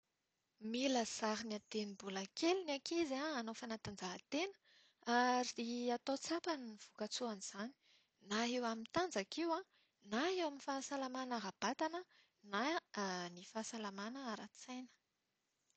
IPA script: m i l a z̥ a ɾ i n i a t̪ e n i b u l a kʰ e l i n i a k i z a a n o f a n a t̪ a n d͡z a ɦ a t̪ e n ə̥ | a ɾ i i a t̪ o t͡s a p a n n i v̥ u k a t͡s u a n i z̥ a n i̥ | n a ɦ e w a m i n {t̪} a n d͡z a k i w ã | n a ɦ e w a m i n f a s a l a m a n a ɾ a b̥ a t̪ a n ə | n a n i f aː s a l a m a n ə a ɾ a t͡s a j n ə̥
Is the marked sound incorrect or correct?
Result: correct